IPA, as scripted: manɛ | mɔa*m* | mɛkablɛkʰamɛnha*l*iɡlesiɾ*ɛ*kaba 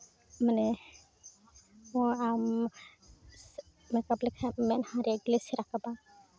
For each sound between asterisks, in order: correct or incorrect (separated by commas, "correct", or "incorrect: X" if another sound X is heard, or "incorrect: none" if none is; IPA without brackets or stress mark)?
correct, incorrect: ɾ, incorrect: a